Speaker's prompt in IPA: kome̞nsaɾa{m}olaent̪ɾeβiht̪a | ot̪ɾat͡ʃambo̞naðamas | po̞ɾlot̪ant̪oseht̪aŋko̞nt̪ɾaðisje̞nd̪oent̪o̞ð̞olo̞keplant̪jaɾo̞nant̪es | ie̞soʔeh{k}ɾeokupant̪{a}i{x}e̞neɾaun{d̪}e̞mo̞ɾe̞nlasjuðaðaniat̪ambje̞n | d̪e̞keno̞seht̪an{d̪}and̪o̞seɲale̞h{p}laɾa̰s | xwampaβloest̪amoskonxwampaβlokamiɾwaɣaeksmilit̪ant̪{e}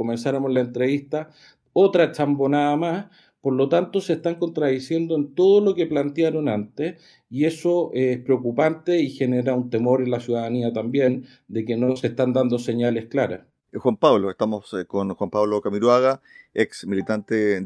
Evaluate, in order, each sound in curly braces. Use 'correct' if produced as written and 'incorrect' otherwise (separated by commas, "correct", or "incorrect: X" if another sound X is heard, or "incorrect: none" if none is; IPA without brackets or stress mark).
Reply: correct, incorrect: p, incorrect: e, correct, incorrect: t̪, correct, incorrect: k, correct